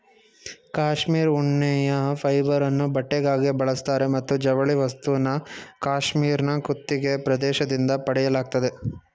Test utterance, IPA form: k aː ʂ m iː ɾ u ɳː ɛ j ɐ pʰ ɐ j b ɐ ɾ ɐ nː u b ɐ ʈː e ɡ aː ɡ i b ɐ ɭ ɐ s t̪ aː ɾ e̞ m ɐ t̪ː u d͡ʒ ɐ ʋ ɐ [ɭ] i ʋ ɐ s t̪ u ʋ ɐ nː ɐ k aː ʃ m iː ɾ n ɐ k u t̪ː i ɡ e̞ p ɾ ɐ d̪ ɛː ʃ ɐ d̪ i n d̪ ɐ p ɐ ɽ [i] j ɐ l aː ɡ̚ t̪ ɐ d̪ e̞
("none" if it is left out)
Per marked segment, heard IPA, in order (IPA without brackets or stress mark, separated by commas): ɭ, ɛ